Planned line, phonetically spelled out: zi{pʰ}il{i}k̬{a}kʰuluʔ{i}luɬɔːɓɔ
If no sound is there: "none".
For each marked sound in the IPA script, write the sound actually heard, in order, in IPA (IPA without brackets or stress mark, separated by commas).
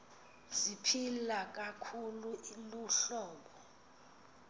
pʰ, a, a, i